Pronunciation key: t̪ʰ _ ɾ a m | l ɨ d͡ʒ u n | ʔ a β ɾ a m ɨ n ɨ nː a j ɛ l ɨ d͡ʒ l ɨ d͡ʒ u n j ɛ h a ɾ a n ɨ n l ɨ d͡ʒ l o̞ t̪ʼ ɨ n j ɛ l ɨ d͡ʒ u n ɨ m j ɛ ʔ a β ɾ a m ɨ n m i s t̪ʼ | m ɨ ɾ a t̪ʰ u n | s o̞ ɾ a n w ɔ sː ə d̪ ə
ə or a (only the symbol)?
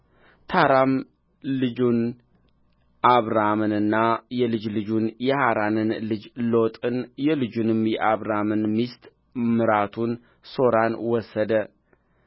a